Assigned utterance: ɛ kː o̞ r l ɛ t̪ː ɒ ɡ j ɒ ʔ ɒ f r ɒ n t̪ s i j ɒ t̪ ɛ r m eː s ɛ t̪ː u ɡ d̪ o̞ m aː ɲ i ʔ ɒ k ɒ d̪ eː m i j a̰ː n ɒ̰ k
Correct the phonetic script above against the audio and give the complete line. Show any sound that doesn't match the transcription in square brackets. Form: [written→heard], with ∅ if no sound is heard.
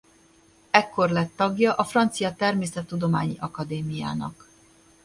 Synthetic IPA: ɛ kː o̞ r l ɛ t̪ː ɒ ɡ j ɒ ʔ ɒ f r ɒ n t̪ s i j ɒ t̪ ɛ r m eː s ɛ t̪ː u [ɡ→∅] d̪ o̞ m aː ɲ i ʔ ɒ k ɒ d̪ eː m i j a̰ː n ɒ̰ k